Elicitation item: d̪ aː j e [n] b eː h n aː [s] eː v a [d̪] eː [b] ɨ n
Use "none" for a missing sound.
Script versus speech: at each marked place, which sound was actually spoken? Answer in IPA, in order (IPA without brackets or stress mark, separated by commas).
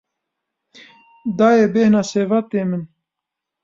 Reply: none, s, t̪, m